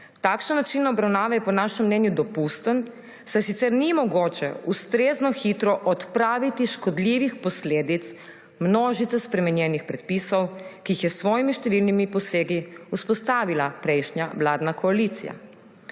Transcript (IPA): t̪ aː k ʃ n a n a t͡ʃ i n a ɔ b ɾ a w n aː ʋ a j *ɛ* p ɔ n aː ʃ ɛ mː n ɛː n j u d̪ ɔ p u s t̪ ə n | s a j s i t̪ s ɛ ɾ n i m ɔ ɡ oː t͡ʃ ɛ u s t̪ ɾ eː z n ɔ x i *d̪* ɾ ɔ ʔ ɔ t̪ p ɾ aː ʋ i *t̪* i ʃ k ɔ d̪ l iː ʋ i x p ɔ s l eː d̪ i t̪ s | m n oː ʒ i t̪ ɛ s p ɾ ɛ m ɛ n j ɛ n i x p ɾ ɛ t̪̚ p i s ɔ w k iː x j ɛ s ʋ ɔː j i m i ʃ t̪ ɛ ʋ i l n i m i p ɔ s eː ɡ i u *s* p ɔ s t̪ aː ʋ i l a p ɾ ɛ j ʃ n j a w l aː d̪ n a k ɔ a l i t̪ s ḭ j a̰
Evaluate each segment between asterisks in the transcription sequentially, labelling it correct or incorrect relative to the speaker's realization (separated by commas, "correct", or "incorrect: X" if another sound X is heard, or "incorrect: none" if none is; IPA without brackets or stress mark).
correct, incorrect: t̪, correct, correct